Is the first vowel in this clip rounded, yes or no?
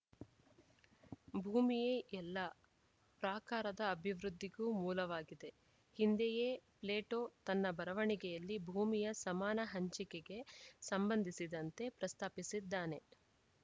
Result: yes